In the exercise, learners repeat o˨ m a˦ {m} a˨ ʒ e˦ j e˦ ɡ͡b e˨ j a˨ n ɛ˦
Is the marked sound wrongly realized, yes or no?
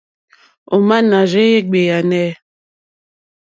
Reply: yes